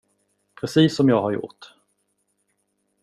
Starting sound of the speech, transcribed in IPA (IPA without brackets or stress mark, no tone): pʰ